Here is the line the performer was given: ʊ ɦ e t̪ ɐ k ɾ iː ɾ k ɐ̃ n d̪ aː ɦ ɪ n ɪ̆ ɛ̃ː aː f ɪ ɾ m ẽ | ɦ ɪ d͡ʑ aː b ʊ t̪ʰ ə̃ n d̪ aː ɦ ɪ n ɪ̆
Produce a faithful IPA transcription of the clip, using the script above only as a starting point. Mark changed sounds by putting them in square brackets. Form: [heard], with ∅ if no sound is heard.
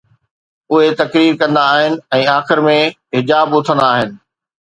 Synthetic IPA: ʊ ɦ e t̪ ɐ k ɾ iː ɾ k ɐ̃ n d̪ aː ɦ ɪ n ɪ̆ ɛ̃ː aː [x] ɪ ɾ m ẽ | ɦ ɪ d͡ʑ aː b ʊ t̪ʰ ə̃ n d̪ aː ɦ ɪ n ɪ̆